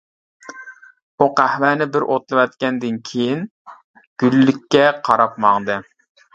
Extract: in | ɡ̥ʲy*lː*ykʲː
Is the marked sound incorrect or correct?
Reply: correct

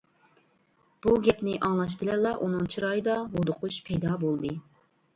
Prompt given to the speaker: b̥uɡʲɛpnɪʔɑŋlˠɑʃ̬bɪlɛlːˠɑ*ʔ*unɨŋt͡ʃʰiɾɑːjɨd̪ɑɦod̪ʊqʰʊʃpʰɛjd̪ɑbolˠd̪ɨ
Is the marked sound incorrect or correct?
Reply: correct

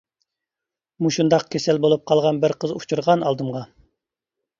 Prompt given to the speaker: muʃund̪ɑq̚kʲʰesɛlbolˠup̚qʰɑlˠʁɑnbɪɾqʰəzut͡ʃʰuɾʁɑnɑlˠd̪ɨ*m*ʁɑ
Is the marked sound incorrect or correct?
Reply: correct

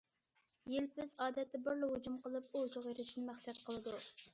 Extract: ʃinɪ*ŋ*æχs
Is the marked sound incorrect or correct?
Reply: incorrect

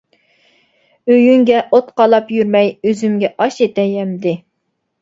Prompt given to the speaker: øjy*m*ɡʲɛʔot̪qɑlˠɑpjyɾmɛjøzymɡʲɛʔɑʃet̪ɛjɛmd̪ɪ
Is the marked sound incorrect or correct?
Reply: incorrect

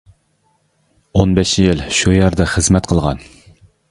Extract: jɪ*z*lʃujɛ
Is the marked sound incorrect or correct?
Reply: incorrect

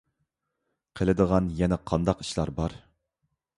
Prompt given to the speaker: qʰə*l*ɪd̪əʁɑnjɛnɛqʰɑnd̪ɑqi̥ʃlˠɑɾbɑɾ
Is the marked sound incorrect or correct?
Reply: correct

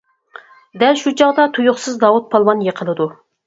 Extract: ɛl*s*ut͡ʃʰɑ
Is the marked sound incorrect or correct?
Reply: incorrect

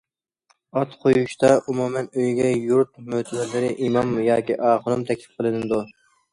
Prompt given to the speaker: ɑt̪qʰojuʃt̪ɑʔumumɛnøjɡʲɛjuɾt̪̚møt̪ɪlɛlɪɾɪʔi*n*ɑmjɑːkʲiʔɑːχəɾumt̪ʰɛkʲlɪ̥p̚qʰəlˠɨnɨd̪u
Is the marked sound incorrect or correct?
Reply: incorrect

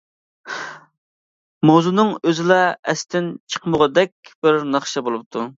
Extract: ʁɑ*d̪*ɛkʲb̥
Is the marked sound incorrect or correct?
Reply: correct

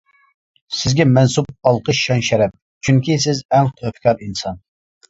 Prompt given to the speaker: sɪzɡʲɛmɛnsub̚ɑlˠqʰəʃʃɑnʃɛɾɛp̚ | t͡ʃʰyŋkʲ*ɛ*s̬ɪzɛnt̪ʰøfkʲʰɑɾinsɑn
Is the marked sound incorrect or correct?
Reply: incorrect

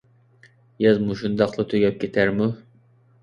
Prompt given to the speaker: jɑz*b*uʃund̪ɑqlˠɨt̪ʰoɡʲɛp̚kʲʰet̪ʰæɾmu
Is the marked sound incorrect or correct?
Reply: incorrect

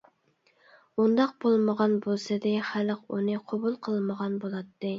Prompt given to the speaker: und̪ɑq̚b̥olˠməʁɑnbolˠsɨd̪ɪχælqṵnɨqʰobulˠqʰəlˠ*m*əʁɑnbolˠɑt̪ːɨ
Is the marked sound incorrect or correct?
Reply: correct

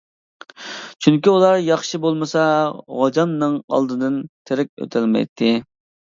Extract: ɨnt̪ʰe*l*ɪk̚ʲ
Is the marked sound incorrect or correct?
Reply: incorrect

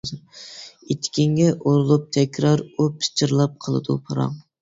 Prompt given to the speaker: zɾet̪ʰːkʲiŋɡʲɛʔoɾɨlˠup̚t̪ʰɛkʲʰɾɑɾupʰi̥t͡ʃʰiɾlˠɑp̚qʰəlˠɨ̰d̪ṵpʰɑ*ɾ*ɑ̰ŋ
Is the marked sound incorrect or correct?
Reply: correct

